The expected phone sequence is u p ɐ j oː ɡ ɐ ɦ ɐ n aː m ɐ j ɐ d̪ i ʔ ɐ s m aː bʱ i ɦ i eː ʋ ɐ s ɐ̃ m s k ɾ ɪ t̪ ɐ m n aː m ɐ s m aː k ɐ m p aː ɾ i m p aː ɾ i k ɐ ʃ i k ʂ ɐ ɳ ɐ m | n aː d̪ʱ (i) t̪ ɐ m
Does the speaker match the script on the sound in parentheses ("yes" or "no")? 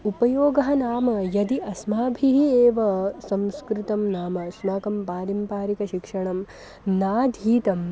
no